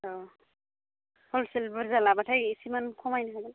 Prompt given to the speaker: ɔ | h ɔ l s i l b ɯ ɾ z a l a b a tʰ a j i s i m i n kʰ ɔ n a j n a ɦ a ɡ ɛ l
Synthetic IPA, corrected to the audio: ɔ | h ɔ l s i l b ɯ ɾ z a l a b a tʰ a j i s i m a n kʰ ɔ m a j n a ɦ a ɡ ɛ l